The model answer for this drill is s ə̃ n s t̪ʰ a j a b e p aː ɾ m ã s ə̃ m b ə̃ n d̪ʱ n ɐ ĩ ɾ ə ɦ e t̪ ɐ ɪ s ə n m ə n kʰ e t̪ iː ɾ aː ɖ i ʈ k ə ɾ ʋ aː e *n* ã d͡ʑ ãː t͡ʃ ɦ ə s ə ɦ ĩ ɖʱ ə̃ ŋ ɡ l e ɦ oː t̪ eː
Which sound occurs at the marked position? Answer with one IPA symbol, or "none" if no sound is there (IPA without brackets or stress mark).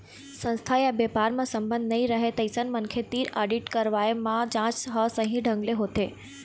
m